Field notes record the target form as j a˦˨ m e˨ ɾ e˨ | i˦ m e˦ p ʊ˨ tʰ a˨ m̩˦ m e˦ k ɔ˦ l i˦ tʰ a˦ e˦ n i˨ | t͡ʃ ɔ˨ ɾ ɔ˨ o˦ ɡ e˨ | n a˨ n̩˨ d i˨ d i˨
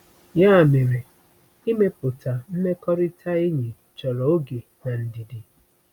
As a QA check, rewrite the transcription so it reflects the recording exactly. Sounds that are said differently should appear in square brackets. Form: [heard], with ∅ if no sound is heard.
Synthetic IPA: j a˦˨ m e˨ ɾ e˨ | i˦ m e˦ p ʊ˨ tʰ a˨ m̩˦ m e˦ k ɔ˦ [ɾ] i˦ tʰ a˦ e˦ [ɲ] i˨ | t͡ʃ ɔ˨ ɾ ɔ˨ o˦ ɡ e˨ | n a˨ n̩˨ d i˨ d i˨